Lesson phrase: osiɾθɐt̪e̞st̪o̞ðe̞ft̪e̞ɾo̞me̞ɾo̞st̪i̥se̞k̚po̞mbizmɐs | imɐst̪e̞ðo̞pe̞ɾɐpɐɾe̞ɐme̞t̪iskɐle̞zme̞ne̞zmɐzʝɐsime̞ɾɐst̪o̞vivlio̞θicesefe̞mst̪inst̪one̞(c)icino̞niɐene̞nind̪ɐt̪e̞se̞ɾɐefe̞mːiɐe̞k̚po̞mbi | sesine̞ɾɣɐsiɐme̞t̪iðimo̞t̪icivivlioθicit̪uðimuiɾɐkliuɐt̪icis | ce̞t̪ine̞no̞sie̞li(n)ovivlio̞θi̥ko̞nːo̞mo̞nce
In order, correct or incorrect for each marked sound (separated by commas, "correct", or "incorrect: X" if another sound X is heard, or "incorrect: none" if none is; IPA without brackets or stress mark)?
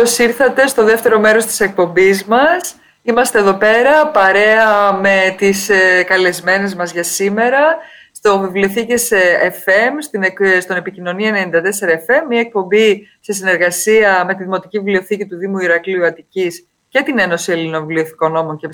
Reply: incorrect: p, correct